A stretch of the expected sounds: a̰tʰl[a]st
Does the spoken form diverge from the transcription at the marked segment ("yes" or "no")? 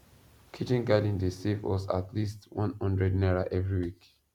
yes